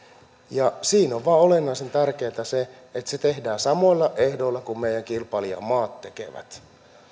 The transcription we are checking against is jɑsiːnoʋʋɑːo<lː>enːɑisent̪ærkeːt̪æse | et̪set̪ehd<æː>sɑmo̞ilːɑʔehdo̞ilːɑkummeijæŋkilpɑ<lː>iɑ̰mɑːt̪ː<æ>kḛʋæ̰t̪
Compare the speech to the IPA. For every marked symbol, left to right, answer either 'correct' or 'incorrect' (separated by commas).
incorrect, correct, incorrect, incorrect